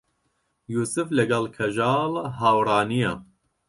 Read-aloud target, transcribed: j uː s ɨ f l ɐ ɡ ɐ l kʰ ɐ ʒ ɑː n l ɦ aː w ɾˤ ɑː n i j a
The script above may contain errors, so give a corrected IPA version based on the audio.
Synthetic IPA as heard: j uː s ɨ f l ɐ ɡ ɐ l kʰ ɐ ʒ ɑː l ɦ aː w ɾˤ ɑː n i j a

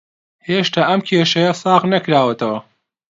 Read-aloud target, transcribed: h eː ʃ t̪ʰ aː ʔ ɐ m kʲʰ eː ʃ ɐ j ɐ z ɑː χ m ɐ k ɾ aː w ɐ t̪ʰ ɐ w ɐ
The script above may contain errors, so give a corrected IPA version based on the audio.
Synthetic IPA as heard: h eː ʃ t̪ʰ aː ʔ ɐ m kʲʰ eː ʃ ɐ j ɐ s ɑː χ n ɐ k ɾ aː w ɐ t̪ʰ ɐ w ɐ

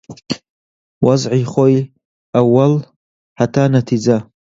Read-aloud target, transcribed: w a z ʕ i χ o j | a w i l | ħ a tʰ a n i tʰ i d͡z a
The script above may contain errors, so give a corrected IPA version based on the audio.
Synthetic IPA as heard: w a z ʕ i χ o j | a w a l | ħ a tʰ a n a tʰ i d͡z a

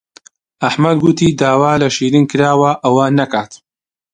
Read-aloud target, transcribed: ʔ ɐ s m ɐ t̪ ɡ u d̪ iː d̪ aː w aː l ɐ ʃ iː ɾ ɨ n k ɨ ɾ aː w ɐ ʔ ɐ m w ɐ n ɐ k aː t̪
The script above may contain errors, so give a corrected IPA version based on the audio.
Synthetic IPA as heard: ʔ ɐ ħ m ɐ d̪ ɡ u t̪ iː d̪ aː w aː l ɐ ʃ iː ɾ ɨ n k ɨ ɾ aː w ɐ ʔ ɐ w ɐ n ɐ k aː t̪

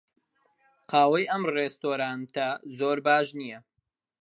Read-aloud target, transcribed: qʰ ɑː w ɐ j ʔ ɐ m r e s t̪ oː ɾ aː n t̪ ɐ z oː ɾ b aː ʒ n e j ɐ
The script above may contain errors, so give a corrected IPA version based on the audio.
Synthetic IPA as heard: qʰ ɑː w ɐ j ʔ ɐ m r e s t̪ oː ɾ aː n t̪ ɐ z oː ɾ b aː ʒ n i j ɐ

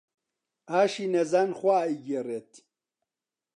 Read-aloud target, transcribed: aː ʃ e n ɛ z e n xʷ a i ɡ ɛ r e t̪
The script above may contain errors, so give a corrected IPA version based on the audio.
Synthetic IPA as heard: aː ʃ i n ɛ z a n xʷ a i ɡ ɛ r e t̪

